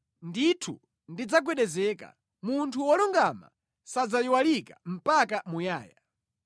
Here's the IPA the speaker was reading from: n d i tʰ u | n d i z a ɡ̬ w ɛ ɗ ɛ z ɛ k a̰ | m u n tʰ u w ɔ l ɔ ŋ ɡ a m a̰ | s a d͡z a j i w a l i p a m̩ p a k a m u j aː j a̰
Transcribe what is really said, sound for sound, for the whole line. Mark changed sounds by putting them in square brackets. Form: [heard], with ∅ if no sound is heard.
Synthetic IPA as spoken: n d i tʰ u | n d i [d͡z] a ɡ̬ w ɛ ɗ ɛ z ɛ k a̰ | m u n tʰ u w ɔ l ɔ ŋ ɡ a m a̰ | s a d͡z a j i w a l i [k] a m̩ p a k a m u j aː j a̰